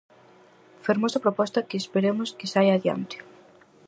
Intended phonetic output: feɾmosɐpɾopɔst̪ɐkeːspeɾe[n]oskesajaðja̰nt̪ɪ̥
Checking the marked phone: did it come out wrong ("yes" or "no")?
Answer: yes